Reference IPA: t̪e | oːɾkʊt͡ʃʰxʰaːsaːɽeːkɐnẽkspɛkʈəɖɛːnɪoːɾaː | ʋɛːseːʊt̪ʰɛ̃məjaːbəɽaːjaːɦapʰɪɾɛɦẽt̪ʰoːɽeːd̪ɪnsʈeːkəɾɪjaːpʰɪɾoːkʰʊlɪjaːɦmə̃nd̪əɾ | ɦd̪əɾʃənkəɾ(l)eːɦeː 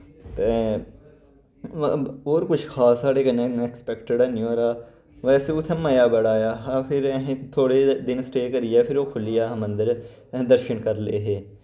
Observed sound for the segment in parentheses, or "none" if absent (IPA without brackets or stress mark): l